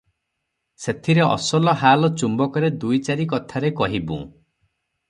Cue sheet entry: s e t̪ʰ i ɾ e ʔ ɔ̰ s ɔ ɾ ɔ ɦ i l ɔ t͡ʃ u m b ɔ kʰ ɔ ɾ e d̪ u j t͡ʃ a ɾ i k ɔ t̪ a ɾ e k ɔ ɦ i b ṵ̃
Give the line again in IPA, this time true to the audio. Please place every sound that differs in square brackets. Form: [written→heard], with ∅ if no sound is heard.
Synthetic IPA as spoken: s e t̪ʰ i ɾ e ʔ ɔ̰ s ɔ [ɾ→l] ɔ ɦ [i→a] l ɔ t͡ʃ u m b ɔ [kʰ→k] ɔ ɾ e d̪ u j t͡ʃ a ɾ i k ɔ [t̪→t̪ʰ] a ɾ e k ɔ ɦ i b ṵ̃